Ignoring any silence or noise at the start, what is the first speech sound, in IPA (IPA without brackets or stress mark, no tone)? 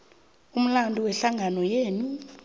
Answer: u